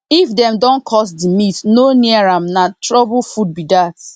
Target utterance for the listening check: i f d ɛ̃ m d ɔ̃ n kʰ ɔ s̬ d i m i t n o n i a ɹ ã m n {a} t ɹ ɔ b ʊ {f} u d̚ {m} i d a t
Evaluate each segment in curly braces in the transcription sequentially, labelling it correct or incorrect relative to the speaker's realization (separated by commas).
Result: correct, correct, incorrect